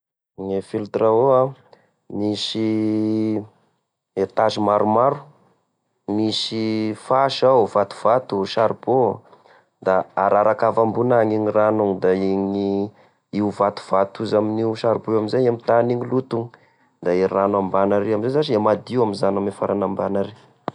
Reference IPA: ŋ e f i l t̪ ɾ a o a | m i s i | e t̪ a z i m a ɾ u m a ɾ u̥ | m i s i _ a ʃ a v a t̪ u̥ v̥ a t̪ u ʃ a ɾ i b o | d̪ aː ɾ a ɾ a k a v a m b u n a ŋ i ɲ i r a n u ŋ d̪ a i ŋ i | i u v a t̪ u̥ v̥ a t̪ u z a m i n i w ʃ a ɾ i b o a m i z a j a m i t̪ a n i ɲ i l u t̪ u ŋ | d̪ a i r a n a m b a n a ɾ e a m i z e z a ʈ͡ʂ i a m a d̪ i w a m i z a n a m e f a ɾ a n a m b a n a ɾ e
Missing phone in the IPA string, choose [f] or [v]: f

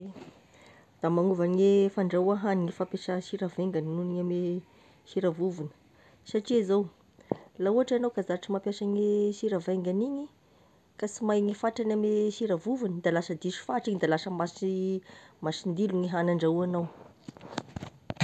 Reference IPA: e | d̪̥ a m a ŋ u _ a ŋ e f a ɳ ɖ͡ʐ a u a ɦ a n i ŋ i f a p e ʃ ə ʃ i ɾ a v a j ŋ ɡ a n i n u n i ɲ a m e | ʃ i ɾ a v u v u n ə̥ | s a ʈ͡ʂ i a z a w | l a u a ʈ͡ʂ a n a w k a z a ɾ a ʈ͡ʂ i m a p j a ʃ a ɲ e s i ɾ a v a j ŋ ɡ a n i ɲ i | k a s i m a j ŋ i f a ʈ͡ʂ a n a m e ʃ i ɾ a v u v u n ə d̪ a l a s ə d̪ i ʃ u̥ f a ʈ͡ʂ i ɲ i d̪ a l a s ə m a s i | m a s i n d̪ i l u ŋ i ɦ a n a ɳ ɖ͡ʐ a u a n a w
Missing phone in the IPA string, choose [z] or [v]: v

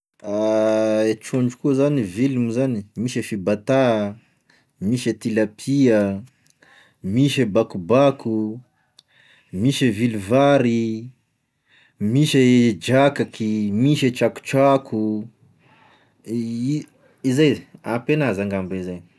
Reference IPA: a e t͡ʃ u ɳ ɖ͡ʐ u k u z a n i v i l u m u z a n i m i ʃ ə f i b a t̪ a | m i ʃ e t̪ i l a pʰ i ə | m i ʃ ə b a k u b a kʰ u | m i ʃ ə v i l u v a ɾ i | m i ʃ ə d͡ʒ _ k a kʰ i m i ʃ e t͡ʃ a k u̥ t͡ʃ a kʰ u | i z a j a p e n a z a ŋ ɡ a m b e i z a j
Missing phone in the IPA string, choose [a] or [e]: a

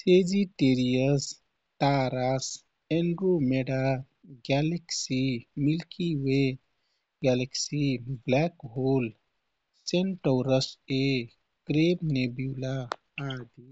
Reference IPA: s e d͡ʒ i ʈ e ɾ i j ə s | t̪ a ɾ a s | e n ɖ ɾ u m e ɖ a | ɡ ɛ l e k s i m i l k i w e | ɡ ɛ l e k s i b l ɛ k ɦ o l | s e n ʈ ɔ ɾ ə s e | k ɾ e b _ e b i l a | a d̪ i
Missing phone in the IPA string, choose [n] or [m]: n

